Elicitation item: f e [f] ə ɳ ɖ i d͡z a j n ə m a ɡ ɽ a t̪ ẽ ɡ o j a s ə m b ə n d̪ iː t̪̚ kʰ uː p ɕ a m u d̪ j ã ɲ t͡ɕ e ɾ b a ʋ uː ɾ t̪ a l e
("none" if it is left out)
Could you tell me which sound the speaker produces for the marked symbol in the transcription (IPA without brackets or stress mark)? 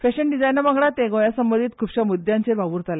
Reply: ɕ